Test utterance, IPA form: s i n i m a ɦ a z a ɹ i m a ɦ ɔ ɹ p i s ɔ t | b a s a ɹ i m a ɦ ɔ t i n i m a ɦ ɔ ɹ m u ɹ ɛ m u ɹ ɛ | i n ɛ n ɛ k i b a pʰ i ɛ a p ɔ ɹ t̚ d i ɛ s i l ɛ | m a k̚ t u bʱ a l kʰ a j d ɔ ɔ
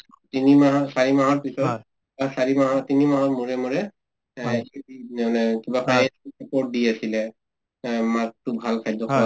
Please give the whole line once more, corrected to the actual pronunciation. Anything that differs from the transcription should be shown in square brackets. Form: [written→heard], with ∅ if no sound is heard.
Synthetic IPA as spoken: [s→t] i n i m a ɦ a [z→s] a ɹ i m a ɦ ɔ ɹ p i s ɔ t | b a s a ɹ i m a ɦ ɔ t i n i m a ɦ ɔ ɹ m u ɹ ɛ m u ɹ ɛ | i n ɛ n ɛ k i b a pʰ [i→a] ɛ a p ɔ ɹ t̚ d i [ɛ→a] s i l ɛ | m a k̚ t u bʱ a l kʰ a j d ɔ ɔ